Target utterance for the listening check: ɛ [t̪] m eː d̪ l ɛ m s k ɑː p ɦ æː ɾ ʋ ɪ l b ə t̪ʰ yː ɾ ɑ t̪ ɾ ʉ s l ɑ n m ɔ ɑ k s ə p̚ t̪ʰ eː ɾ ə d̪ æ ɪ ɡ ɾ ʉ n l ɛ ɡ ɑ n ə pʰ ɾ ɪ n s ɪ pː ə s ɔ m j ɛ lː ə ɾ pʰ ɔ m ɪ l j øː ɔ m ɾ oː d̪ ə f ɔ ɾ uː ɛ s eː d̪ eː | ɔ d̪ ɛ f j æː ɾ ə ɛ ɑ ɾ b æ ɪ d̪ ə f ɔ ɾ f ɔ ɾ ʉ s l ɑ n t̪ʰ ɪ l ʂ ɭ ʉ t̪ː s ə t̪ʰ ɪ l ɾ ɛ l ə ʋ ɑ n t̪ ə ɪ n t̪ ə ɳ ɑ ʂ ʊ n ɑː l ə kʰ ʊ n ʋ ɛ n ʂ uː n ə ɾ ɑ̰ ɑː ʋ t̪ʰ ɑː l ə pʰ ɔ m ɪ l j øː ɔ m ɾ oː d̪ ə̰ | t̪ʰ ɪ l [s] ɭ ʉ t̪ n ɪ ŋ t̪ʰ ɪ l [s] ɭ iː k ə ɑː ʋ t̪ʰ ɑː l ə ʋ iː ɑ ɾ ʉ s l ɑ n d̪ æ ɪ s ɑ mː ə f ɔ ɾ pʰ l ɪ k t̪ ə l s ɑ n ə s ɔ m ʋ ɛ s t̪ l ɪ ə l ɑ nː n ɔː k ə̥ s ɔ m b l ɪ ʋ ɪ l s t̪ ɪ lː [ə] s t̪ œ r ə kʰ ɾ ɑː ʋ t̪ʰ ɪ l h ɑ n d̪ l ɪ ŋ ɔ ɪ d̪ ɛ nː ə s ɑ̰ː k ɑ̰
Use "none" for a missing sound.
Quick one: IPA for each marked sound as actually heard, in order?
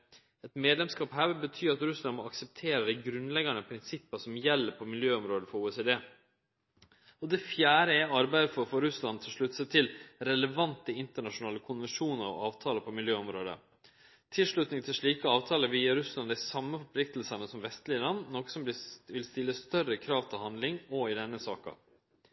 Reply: t̪, ʂ, ʂ, ə

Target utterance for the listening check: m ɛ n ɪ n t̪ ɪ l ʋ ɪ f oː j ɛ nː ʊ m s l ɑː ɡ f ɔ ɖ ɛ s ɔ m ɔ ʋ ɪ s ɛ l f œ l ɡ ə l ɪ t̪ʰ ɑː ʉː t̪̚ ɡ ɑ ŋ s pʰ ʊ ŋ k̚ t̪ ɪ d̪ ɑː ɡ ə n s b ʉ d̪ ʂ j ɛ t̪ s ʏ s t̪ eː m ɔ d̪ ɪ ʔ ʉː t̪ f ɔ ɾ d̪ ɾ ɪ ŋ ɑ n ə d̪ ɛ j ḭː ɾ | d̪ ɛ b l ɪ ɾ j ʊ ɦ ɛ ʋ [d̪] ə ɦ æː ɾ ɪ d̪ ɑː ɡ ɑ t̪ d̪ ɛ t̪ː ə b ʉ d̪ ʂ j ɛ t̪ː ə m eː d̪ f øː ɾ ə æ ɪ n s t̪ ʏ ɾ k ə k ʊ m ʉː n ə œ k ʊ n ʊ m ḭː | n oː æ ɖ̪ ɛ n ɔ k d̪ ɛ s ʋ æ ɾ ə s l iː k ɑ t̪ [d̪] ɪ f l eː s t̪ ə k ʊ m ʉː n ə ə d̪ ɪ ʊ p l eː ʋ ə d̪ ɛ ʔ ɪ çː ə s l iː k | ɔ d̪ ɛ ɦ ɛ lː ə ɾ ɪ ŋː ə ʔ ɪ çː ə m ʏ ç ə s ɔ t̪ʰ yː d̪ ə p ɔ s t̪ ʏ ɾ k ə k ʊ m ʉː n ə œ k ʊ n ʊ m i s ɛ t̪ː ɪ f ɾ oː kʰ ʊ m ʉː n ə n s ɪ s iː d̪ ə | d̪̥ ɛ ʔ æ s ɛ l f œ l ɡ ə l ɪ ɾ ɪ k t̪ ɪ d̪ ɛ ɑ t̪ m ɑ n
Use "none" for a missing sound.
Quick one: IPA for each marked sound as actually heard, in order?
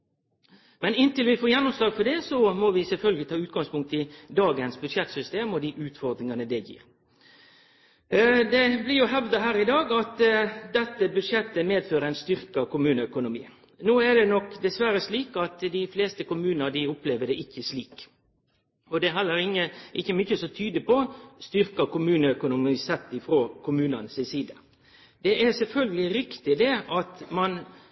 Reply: d̪, d̪

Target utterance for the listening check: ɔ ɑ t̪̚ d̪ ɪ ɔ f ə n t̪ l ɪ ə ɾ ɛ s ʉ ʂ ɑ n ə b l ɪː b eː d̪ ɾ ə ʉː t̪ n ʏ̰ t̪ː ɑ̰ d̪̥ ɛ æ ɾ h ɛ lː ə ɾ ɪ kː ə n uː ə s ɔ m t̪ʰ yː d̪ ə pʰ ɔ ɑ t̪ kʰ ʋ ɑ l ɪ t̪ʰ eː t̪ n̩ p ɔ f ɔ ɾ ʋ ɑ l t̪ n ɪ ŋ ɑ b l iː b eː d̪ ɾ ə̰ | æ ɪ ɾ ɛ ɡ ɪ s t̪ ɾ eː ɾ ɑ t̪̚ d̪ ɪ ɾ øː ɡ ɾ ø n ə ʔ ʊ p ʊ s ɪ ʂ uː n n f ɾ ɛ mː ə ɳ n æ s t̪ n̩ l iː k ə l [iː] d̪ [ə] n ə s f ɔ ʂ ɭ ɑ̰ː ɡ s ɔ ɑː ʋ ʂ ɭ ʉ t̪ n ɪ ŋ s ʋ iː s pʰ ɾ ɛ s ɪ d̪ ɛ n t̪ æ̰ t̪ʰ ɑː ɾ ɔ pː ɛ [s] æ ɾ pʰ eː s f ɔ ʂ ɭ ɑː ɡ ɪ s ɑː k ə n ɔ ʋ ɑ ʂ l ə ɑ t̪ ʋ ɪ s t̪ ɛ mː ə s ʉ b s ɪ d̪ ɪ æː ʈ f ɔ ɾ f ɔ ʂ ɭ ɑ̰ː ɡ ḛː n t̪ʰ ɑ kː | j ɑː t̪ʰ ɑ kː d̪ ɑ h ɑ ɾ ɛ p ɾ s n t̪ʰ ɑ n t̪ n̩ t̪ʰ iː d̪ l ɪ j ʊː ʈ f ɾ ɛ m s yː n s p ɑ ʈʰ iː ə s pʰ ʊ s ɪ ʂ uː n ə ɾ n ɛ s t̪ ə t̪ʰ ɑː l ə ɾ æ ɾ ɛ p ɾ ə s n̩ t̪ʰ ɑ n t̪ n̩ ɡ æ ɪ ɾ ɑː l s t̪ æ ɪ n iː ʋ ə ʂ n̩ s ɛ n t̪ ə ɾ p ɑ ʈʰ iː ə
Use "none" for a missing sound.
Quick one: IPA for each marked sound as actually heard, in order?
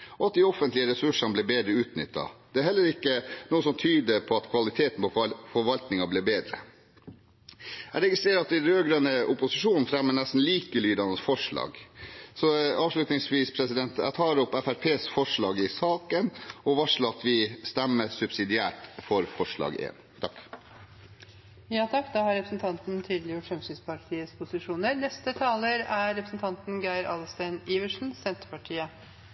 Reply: yː, ɑ, f

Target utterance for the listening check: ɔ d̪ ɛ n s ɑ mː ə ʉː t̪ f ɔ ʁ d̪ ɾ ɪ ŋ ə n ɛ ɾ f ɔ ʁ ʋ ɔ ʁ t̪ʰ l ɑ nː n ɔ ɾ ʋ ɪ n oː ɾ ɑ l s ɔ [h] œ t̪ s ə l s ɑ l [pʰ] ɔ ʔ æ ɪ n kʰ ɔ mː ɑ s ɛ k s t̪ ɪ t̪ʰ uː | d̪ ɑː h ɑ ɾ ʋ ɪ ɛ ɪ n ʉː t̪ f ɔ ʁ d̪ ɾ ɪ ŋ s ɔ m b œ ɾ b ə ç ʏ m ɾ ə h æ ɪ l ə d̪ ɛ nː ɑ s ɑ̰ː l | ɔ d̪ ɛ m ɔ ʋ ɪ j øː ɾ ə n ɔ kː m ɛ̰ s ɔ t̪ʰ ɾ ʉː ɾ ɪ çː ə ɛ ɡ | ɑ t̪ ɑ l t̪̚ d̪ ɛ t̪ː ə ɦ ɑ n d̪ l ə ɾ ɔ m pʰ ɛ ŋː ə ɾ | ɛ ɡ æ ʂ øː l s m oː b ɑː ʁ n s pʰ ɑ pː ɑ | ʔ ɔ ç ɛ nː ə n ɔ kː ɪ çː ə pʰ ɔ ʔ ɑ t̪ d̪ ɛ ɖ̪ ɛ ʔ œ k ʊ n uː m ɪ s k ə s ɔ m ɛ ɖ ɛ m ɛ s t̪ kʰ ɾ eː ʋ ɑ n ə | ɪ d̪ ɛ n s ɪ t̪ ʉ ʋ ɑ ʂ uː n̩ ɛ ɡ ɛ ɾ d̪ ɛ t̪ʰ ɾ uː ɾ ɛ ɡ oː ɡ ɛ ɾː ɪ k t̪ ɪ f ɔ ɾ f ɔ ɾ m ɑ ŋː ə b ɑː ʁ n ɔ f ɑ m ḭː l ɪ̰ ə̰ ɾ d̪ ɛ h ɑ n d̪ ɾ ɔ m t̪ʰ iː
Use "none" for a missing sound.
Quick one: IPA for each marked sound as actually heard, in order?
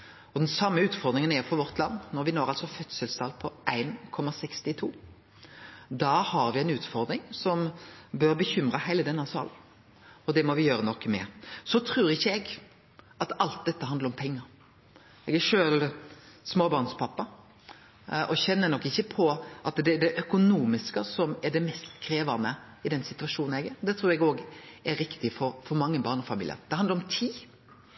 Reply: f, pʰ

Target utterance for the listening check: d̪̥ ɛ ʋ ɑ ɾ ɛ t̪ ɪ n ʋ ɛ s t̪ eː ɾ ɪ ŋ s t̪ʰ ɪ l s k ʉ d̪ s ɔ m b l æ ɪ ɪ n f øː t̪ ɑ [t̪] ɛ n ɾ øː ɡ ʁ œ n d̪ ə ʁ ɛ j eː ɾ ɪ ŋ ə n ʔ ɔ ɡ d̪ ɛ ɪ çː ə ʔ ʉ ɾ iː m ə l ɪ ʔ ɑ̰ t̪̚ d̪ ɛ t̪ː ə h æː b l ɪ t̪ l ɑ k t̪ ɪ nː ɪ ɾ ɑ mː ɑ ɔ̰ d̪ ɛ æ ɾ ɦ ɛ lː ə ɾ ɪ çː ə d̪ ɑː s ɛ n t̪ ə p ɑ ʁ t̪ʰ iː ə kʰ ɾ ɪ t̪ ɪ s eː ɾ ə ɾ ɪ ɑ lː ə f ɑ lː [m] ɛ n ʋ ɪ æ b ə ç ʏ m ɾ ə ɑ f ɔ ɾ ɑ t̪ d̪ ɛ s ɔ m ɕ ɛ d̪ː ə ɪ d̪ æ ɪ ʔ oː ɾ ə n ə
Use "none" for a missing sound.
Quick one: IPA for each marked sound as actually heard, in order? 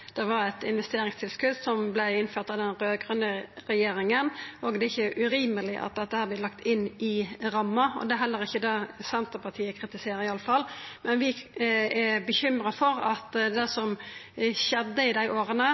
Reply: d̪, m

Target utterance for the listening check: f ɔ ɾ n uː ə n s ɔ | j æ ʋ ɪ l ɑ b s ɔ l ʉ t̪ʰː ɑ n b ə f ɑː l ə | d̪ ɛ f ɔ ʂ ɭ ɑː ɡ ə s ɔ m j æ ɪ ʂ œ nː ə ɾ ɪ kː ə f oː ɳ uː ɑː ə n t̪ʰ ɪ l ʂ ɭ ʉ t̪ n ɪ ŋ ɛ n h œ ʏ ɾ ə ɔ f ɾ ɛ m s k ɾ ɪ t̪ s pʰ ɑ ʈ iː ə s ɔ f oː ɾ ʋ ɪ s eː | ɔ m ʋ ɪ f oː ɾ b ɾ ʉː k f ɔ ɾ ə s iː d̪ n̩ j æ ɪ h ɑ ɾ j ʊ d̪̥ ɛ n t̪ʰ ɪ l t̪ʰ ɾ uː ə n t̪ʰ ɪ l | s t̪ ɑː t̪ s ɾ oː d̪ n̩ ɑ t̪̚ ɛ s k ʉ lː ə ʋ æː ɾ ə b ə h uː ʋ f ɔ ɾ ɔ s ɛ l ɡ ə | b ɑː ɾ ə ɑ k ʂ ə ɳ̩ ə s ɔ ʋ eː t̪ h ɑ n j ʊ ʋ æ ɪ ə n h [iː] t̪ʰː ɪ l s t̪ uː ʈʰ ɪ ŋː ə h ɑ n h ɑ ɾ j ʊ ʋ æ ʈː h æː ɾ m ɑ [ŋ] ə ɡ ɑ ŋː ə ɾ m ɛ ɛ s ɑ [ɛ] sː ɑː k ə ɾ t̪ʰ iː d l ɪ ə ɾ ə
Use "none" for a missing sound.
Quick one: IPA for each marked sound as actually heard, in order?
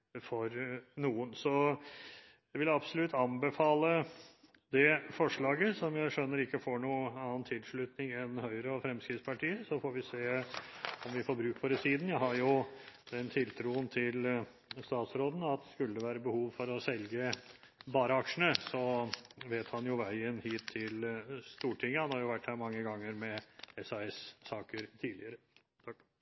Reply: iː, ŋː, ɛ

